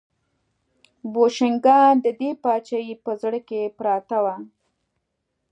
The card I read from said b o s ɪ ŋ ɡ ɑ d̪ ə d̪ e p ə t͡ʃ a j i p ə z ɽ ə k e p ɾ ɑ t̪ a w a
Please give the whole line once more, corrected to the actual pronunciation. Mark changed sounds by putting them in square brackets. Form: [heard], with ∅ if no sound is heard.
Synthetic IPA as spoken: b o [ʃ] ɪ ŋ ɡ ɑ d̪ ə d̪ e p [ɑ] t͡ʃ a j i p ə z ɽ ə k e p ɾ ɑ t̪ a w a